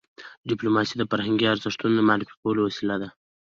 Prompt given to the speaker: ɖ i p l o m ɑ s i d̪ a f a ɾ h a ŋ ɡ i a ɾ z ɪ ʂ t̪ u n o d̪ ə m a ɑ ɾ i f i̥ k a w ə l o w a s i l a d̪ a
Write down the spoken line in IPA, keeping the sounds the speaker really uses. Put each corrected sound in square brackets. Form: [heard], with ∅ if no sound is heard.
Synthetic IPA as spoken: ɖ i p l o m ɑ s i d̪ [ə] f a ɾ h a ŋ ɡ i a ɾ z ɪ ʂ t̪ u n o d̪ ə m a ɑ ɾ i f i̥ k a w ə l o w a s i l a d̪ a